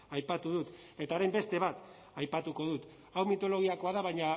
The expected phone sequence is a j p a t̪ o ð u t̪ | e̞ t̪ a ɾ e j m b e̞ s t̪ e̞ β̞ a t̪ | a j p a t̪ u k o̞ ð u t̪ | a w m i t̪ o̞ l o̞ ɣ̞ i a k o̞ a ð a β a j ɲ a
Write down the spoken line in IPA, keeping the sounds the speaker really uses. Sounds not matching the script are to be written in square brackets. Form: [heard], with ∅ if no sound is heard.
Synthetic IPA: a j p a t̪ [u] ð u t̪ | e̞ t̪ a ɾ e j m b e̞ s t̪ e̞ β̞ a t̪ | a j p a t̪ u k o̞ ð u t̪ | a w m i t̪ o̞ l o̞ ɣ̞ i a k o̞ a ð a β a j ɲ a